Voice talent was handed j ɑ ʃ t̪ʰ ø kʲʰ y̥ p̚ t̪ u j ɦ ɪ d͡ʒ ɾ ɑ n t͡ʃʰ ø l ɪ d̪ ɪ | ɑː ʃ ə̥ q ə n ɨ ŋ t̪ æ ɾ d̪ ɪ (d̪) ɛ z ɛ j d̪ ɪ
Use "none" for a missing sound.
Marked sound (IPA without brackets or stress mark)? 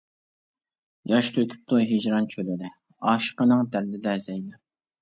d̪